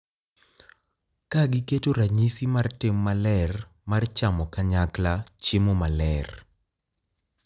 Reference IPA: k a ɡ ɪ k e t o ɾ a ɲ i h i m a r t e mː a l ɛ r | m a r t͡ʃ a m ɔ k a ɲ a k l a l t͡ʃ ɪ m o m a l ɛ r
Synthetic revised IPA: k a ɡ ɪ k e t o ɾ a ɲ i s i m a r t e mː a l ɛ r | m a r t͡ʃ a m ɔ k a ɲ a k l a t͡ʃ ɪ m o m a l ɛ r